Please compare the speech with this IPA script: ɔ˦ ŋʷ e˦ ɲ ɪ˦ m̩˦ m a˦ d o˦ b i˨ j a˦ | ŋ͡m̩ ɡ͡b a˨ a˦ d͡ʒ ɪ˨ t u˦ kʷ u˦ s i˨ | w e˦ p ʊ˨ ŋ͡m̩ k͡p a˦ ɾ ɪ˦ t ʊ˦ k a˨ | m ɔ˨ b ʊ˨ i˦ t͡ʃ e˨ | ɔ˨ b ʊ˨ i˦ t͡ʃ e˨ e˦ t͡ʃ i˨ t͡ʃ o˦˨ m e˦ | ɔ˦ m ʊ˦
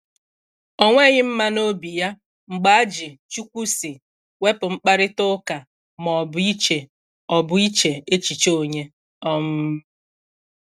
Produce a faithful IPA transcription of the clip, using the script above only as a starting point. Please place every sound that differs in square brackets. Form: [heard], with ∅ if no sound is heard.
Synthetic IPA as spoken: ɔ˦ ŋʷ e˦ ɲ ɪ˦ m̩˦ m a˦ [n] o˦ b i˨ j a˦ | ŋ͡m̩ ɡ͡b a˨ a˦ d͡ʒ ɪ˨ [t͡ʃ] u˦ kʷ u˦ s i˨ | w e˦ p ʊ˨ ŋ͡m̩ k͡p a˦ ɾ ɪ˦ t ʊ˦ k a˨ | m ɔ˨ b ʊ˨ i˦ t͡ʃ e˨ | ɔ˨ b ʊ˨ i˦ t͡ʃ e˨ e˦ t͡ʃ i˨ t͡ʃ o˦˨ [ɲ] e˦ | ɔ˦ m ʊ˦